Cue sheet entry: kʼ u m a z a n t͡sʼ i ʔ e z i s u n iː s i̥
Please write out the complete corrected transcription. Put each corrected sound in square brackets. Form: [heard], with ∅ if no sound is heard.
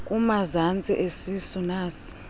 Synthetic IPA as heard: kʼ u m a z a n t͡sʼ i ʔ e [s] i s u n [aː] s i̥